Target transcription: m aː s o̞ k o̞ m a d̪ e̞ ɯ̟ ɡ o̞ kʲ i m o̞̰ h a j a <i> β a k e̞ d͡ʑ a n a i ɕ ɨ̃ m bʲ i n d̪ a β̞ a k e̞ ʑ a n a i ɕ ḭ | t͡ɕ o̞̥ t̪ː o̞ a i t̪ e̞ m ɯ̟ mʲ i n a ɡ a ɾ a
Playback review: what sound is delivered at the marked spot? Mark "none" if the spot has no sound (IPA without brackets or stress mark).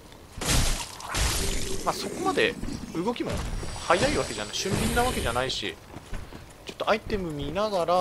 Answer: i